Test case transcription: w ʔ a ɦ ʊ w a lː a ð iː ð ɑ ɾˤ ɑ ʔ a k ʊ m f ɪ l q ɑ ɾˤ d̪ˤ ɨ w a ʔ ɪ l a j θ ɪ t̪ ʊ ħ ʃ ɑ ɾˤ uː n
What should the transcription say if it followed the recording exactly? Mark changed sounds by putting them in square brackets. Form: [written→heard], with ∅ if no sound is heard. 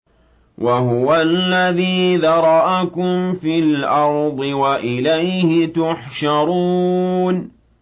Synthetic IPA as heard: w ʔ a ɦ ʊ w a lː a ð iː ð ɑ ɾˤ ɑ ʔ a k ʊ m f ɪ l [q→ʔ] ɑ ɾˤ d̪ˤ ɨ w a ʔ ɪ l a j [θ→h] ɪ t̪ ʊ ħ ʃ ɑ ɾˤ uː n